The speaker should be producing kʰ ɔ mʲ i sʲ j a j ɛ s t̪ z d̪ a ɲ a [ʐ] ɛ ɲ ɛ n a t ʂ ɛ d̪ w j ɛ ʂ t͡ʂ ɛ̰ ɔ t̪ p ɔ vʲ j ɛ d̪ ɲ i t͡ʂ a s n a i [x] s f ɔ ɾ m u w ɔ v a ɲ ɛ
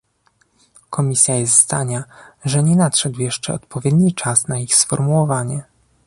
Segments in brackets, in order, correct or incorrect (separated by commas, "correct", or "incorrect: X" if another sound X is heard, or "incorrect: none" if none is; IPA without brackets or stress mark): correct, correct